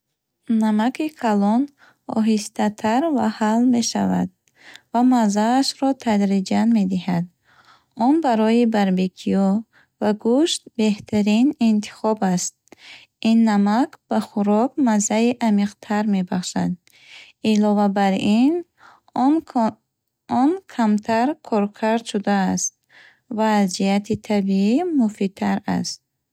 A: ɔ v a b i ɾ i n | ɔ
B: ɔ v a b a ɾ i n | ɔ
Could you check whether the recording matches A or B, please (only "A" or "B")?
B